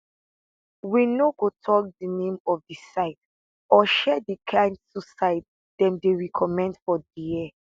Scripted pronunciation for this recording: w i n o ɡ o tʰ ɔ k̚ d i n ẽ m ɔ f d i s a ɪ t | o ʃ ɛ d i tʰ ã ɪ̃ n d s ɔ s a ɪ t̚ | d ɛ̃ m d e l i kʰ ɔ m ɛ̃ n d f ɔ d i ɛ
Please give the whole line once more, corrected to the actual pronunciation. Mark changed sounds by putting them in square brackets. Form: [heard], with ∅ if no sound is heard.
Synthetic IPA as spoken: w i n o ɡ o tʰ ɔ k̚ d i n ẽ m ɔ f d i s a ɪ t | [ɔ] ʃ ɛ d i [kʰ] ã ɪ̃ n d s [u] s a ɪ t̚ | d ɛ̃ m d e [ɹ] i kʰ ɔ m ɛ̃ n d f ɔ d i ɛ